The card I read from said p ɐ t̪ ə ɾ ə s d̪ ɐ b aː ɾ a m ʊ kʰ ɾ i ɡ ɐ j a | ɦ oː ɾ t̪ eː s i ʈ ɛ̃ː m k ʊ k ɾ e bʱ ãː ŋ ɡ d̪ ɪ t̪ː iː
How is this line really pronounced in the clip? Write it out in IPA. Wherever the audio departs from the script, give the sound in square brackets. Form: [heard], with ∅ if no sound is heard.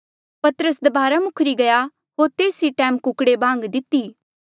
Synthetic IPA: p ɐ t̪ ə ɾ ə s d̪ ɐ b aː ɾ a m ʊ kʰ ɾ i ɡ ɐ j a | ɦ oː ɾ t̪ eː s i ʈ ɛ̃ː m k ʊ k [ɽ] e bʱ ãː ŋ ɡ d̪ ɪ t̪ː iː